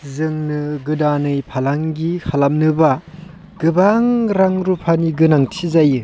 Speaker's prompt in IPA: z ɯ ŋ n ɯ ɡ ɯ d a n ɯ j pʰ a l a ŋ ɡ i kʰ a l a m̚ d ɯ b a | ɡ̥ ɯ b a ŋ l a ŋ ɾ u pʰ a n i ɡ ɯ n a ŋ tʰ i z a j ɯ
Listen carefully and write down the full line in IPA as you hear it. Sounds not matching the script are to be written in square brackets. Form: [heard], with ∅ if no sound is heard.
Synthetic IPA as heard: z ɯ ŋ n ɯ ɡ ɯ d a n ɯ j pʰ a l a ŋ ɡ i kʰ a l a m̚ [n] ɯ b a | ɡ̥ ɯ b a ŋ [ɾ] a ŋ ɾ u pʰ a n i ɡ ɯ n a ŋ tʰ i z a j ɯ